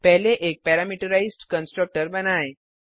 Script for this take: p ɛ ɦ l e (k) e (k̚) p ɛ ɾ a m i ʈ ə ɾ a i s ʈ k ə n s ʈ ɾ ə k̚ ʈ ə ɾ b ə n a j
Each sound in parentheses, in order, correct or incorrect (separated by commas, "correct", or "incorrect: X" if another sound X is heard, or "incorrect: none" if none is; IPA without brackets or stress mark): incorrect: ʔ, correct